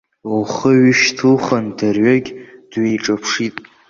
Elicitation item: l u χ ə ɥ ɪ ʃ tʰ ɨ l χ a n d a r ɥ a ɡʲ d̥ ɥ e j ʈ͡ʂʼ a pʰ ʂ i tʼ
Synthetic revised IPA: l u χ ə ɥ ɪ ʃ tʰ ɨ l χ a n d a r ɥ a ɡʲ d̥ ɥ e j ʈ͡ʂʼ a pʰ ʂ i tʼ